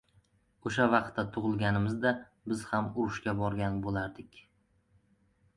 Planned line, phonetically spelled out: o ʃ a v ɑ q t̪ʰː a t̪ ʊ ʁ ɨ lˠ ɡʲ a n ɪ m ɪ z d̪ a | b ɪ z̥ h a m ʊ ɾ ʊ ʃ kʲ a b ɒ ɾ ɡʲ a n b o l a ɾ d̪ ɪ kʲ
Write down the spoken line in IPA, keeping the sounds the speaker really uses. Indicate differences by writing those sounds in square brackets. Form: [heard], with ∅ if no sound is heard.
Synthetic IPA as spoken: o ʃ a v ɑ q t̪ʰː a [t̪ʰ] ʊ ʁ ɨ lˠ ɡʲ a n ɪ m ɪ z d̪ a | b ɪ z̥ h a m ʊ ɾ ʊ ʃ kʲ a b ɒ ɾ ɡʲ a n b o l a ɾ d̪ ɪ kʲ